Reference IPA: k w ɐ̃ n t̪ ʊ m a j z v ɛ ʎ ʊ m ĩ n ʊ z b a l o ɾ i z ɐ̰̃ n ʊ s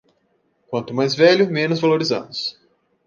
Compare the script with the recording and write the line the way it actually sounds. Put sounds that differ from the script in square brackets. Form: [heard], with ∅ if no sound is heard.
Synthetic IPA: k w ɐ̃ n t̪ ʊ m a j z v ɛ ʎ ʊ m [ẽ] n ʊ z [v] a l o ɾ i z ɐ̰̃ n ʊ s